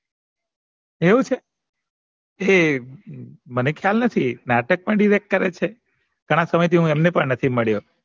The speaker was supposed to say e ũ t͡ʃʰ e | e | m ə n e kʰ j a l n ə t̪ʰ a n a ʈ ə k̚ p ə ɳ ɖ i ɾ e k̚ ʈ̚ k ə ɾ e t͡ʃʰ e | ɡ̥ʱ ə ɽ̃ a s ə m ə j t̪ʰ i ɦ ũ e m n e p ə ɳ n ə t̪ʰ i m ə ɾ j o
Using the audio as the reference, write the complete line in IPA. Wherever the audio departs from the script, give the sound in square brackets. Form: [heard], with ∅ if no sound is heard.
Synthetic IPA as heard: e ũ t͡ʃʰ e | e | m ə n e kʰ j a l n ə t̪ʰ [i] n a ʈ ə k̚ p ə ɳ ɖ i ɾ e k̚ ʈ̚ k ə ɾ e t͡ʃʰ e | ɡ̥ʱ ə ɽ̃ a s ə m ə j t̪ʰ i ɦ ũ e m n e p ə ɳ n ə t̪ʰ i m ə [ɭ] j o